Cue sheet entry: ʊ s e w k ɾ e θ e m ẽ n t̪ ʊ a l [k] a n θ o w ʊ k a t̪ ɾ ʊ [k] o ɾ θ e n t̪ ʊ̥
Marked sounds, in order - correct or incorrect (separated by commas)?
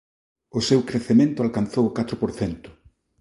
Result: correct, incorrect